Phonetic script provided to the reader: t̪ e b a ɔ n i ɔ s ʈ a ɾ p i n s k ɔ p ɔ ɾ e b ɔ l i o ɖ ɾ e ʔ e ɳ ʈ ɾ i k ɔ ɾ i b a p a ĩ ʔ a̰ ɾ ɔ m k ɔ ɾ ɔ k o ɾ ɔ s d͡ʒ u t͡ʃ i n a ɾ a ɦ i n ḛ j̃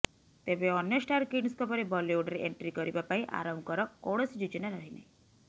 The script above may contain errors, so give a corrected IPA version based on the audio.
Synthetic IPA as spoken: t̪ e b e ɔ n j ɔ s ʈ a ɾ k i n s k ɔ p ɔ ɾ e b ɔ l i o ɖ ɾ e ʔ e ɳ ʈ ɾ i k ɔ ɾ i b a p a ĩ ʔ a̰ ɾ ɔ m k ɔ ɾ ɔ k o ɽ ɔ s d͡ʒ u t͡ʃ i n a ɾ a ɦ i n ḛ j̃